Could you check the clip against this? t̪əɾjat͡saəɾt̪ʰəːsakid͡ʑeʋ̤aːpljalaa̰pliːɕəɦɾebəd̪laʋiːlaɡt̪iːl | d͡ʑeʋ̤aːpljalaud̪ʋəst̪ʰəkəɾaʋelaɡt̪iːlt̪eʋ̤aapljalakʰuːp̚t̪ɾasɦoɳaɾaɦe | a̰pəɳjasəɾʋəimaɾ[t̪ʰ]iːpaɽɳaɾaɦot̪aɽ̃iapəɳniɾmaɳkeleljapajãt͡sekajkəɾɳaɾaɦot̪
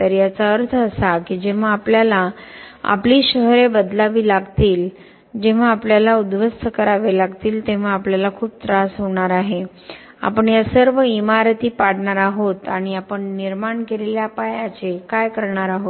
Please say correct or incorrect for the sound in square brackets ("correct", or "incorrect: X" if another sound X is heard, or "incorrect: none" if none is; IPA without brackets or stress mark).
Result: incorrect: t̪